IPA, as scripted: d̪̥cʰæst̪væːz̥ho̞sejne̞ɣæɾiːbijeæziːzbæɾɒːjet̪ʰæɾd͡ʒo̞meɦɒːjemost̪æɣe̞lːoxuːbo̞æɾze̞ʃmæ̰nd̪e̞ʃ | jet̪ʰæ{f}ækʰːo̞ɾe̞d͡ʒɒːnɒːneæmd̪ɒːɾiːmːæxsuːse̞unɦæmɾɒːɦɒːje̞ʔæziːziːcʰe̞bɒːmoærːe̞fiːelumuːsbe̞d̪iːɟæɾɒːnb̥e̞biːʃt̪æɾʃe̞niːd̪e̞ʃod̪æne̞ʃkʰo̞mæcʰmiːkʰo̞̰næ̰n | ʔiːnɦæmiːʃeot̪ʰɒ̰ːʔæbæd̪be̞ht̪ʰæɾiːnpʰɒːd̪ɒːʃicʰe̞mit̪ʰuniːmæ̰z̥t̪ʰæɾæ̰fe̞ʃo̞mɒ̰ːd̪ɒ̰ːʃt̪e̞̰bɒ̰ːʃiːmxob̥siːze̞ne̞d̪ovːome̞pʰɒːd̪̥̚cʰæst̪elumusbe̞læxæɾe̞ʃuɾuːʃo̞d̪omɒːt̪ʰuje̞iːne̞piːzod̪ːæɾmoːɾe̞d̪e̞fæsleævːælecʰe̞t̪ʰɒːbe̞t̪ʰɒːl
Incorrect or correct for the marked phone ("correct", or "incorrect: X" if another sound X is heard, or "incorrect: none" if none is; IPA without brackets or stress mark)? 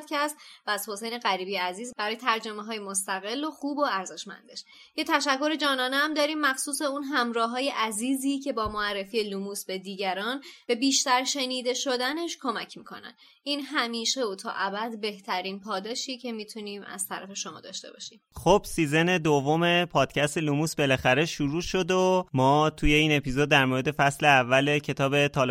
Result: incorrect: ʃ